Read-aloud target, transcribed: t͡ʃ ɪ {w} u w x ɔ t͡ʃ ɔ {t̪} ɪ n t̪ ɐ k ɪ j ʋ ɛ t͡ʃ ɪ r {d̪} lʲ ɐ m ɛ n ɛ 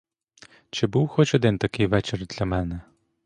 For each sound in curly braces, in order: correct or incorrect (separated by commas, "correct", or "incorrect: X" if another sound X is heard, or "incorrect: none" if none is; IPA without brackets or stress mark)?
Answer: incorrect: b, incorrect: d̪, correct